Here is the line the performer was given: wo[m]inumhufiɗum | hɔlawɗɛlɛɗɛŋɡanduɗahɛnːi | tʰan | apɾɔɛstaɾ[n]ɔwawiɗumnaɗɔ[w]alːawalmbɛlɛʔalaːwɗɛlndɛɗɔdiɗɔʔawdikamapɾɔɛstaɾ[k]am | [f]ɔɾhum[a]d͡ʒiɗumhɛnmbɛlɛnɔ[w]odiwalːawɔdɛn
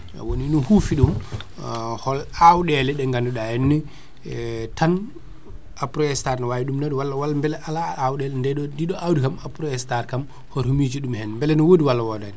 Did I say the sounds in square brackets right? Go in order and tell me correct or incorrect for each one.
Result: incorrect, correct, correct, correct, incorrect, incorrect, correct

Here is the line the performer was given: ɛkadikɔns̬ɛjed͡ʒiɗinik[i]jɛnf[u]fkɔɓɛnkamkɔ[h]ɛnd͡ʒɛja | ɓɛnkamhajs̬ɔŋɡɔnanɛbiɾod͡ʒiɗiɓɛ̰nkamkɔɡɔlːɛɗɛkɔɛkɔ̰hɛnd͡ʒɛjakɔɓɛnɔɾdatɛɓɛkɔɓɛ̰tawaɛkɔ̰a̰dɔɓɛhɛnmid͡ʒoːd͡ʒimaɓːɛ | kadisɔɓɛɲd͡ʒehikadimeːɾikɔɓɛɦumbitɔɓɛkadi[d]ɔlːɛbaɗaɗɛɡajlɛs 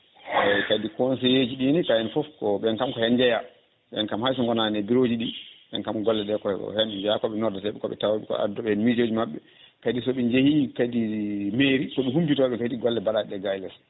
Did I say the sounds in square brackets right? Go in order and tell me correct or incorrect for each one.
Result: incorrect, incorrect, correct, incorrect

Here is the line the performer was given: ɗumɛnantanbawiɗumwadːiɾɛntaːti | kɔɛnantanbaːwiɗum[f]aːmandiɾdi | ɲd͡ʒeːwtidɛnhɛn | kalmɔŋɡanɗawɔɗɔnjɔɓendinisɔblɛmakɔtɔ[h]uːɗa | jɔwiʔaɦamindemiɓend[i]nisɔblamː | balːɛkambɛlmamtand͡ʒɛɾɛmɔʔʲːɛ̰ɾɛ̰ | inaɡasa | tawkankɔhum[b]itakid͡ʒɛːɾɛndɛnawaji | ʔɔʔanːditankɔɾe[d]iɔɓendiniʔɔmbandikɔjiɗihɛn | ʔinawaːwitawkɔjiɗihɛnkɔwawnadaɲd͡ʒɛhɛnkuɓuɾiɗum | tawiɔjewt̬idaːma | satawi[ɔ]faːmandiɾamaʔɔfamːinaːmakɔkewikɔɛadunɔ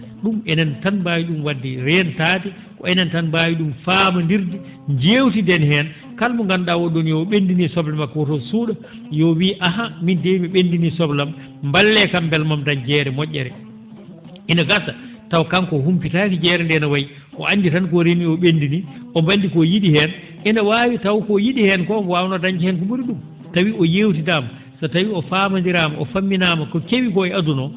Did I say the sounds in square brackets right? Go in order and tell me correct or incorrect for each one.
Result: correct, incorrect, correct, incorrect, incorrect, correct

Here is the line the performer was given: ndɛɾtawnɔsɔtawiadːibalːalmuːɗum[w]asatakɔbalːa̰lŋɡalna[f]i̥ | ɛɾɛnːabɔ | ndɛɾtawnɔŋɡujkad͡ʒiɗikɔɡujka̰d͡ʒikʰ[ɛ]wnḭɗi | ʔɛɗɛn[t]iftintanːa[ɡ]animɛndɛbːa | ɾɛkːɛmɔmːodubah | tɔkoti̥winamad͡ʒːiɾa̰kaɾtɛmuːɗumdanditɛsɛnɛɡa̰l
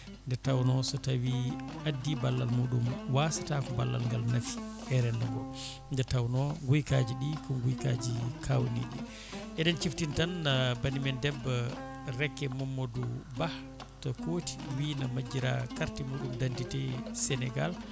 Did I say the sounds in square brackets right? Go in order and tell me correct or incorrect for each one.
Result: correct, correct, incorrect, incorrect, incorrect

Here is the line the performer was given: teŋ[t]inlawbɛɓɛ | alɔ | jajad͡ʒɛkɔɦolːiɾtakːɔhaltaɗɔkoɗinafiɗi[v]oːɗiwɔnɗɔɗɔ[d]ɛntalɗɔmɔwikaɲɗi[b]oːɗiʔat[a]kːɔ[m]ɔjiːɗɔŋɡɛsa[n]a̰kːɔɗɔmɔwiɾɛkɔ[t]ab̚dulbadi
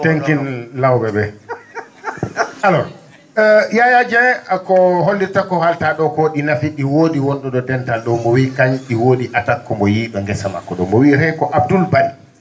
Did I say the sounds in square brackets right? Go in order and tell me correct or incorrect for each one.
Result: incorrect, incorrect, correct, incorrect, correct, correct, incorrect, incorrect

